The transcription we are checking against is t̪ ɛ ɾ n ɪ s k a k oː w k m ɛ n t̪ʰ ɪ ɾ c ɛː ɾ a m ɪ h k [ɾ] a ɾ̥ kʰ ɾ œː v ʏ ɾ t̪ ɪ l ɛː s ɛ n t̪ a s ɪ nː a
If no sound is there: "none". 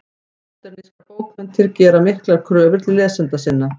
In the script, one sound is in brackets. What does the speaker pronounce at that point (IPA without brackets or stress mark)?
l